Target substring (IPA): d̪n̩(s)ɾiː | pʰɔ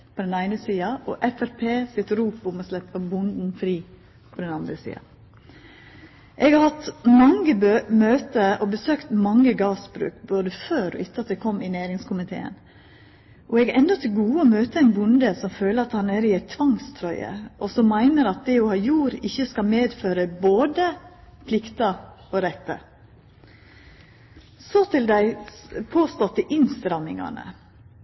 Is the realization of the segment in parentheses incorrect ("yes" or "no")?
yes